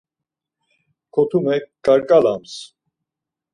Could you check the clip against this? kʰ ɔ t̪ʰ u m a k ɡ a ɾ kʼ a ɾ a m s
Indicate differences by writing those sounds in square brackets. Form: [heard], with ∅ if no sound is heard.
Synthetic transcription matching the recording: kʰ ɔ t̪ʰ u m [ɛ] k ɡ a ɾ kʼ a [l] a m s